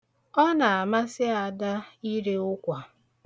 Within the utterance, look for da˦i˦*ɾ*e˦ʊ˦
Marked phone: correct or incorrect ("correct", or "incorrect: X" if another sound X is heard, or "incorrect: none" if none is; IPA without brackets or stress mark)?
correct